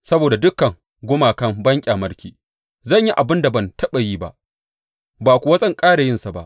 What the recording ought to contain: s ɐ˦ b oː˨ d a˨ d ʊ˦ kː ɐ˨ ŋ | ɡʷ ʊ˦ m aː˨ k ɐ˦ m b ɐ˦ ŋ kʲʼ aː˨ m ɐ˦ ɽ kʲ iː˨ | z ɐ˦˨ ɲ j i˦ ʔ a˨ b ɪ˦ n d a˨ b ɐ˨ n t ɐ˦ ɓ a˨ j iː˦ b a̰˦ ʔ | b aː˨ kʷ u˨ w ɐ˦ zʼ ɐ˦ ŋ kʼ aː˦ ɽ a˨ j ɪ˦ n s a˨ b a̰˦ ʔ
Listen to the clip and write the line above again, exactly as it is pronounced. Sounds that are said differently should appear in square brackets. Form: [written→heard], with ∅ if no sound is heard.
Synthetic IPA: s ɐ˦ b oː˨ d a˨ d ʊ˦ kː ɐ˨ ŋ | ɡʷ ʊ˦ m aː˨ k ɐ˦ m b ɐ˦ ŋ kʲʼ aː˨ m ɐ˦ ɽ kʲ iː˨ | z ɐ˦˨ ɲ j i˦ ʔ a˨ b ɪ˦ n d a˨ b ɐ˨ n t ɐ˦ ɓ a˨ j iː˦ b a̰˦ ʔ | b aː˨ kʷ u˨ w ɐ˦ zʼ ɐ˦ ŋ kʼ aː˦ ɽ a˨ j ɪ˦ n s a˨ b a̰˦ ʔ

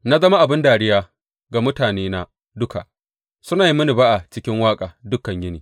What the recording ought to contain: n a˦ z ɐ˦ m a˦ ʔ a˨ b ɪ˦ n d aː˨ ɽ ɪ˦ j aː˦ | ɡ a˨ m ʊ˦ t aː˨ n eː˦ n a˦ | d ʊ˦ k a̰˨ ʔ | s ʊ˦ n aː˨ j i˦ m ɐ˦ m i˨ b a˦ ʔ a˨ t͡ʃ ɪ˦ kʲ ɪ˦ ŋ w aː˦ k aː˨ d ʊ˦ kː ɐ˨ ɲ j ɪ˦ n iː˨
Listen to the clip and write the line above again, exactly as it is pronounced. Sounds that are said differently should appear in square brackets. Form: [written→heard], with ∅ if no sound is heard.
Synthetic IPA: n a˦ z ɐ˦ m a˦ ʔ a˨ b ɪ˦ n d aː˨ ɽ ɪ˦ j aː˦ | ɡ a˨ m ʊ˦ t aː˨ n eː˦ n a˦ | d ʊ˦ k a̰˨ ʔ | s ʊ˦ n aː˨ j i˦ m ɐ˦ [m→n] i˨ b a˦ ʔ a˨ t͡ʃ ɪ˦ kʲ ɪ˦ ŋ w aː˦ [k→kʼ] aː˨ d ʊ˦ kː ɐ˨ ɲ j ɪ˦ n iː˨

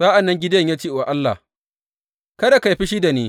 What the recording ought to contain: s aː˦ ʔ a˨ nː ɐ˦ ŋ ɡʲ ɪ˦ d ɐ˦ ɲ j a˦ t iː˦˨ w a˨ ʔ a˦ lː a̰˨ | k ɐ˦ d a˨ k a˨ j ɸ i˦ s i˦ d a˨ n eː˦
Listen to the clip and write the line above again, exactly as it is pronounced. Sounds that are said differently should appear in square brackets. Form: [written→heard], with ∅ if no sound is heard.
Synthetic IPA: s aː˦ ʔ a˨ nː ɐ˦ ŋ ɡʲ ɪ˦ d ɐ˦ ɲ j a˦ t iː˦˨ w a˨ ʔ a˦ lː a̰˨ | k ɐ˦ d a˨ k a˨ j ɸ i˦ [s→ʃ] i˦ d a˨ n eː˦

